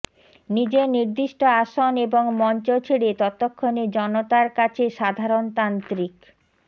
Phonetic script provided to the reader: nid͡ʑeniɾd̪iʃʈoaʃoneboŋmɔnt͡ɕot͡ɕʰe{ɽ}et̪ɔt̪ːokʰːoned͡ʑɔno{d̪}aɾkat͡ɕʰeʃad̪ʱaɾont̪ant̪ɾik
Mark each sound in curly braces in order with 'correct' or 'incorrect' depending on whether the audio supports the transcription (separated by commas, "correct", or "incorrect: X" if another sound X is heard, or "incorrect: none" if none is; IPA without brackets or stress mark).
correct, incorrect: t̪